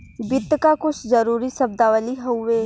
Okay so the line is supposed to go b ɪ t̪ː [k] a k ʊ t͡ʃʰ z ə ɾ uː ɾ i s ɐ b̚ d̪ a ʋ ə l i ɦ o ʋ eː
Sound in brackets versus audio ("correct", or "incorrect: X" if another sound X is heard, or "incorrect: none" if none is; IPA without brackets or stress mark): correct